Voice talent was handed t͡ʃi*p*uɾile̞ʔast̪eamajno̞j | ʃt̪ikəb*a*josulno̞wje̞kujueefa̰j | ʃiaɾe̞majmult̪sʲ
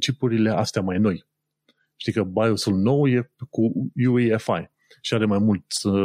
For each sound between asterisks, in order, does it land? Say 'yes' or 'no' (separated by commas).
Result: yes, yes